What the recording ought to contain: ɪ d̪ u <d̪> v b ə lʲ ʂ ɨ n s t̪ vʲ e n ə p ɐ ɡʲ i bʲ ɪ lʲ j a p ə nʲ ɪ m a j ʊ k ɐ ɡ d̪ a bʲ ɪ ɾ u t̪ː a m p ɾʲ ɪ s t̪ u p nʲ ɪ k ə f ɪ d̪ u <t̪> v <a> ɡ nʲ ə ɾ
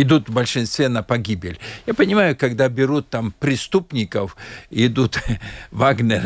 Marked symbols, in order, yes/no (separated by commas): no, yes, yes